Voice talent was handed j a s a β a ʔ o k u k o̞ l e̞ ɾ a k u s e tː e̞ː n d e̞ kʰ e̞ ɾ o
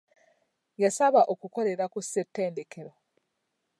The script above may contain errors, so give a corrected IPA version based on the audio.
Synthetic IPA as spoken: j a s a β a ʔ o k u k o̞ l e̞ ɾ a k u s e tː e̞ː n d e̞ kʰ e̞ ɾ o